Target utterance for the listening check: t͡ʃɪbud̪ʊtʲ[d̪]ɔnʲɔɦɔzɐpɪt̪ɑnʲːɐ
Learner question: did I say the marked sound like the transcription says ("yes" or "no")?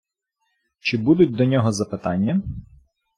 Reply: yes